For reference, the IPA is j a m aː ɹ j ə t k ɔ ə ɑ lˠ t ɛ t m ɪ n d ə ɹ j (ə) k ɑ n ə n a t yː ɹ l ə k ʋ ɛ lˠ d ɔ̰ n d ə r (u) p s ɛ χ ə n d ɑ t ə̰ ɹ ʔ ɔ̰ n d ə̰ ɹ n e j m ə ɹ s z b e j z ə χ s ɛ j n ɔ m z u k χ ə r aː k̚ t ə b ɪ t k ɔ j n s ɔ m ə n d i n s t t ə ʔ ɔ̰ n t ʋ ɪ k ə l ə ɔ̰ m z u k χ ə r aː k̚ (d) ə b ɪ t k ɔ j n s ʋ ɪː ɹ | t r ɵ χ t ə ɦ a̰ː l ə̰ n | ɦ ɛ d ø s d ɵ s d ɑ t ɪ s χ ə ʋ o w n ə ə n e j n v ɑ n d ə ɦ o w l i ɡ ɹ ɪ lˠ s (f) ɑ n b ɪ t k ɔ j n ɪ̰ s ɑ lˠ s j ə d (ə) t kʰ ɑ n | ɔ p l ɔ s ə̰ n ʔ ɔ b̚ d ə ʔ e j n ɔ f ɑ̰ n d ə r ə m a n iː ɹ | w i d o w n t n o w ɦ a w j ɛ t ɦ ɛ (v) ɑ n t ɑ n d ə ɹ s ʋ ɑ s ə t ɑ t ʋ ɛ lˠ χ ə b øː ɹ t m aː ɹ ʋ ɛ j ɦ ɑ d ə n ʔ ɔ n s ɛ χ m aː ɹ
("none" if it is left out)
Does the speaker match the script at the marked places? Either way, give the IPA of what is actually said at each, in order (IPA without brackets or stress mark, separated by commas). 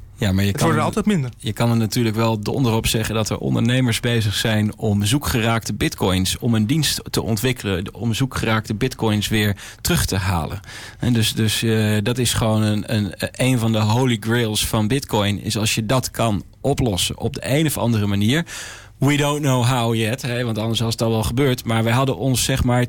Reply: ə, ɔ, t, f, ɑ, ʋ